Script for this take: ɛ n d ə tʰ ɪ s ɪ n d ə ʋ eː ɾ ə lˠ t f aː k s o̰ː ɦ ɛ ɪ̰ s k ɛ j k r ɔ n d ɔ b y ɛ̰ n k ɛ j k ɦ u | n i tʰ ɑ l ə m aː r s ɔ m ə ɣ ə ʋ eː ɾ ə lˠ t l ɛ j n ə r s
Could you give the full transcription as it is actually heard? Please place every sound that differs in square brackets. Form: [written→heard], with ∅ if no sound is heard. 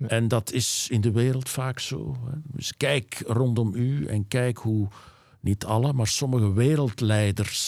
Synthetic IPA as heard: ɛ n d [ə→ɑ] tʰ ɪ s ɪ n d ə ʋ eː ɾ ə lˠ t f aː k s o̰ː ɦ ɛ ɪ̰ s k ɛ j k r ɔ n d ɔ [b→m] y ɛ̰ n k ɛ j k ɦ u | n i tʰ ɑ l ə m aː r s ɔ m ə ɣ ə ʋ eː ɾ ə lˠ t l ɛ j [n→d] ə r s